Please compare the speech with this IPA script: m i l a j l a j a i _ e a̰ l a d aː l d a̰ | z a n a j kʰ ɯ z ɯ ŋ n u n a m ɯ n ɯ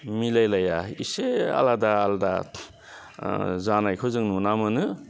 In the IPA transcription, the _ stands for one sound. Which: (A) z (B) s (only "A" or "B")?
B